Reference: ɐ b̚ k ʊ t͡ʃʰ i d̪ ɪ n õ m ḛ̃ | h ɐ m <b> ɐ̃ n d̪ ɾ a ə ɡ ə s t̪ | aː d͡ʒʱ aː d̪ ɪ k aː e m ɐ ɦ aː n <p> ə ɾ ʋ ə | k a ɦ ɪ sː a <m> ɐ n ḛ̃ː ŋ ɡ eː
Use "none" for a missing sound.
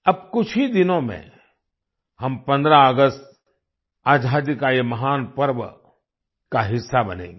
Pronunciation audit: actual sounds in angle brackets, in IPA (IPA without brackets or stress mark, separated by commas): p, p, b